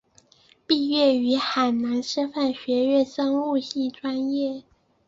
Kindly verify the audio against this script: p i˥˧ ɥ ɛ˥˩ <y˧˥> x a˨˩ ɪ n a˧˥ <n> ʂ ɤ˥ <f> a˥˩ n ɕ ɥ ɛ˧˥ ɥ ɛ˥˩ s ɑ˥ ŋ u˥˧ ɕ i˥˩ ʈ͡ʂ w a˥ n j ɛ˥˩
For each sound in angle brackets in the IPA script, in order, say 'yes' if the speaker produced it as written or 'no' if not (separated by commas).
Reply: yes, yes, yes